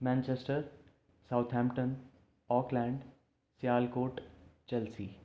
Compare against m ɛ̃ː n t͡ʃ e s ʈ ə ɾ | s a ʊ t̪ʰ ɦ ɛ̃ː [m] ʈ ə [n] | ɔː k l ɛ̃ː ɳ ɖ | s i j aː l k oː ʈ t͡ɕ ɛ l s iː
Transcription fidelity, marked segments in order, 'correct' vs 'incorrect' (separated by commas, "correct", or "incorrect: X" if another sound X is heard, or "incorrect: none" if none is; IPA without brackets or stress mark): correct, correct